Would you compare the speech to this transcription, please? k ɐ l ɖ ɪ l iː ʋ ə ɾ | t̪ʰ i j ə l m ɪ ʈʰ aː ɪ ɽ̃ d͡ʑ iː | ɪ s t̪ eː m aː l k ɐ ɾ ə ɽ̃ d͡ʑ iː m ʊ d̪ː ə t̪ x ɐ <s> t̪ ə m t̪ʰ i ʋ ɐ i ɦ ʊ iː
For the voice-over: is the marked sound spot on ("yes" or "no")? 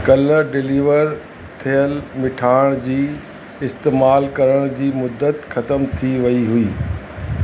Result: no